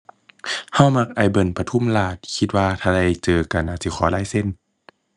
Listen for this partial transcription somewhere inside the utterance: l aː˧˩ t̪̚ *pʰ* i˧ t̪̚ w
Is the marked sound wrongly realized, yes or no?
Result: yes